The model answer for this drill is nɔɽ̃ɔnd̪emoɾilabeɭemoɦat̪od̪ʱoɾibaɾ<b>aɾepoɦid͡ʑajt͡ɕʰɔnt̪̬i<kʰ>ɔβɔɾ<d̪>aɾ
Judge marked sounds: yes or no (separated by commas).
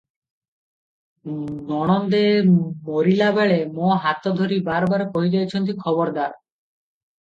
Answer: yes, yes, yes